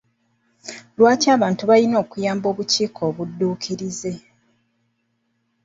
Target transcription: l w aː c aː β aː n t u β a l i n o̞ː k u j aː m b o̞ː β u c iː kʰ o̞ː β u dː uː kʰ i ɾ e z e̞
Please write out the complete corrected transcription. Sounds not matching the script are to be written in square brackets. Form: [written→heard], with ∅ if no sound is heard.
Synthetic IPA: l w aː c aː β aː n t u β a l i n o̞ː k u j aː m b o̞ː β u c iː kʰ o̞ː β u dː uː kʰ i ɾ [e→i] z e̞